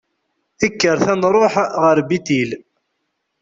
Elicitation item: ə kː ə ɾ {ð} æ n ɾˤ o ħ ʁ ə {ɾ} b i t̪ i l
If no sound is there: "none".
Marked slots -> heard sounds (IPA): θ, ɾ

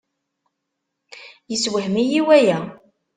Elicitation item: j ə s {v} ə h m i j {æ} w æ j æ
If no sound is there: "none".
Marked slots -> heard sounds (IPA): w, i

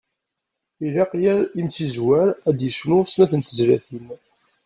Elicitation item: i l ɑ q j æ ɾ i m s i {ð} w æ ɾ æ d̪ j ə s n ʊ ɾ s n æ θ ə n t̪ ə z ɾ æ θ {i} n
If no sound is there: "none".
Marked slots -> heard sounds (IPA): z, i

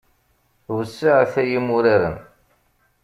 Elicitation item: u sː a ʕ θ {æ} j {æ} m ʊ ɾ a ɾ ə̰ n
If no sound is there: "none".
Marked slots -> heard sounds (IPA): æ, i

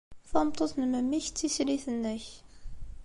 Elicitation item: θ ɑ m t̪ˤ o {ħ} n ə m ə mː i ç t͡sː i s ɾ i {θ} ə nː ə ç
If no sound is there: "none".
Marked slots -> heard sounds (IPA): θ, θ

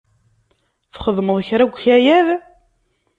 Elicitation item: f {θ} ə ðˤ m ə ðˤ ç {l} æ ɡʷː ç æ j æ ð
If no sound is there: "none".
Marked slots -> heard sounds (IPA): χ, ɾ

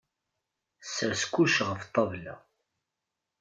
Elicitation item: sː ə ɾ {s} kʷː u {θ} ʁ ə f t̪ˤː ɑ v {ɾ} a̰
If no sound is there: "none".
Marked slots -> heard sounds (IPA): s, ʃ, l

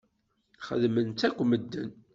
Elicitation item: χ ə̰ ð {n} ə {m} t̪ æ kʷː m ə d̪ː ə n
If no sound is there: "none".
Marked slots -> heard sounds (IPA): m, n

